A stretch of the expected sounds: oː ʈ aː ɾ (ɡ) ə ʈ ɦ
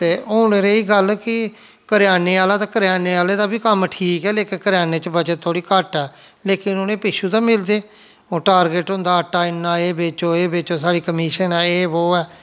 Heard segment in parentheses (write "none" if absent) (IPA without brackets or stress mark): ɡ